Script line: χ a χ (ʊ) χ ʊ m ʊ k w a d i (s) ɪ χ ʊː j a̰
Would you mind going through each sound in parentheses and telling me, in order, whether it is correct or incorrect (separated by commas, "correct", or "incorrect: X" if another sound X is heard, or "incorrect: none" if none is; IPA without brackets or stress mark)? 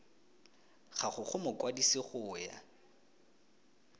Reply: correct, correct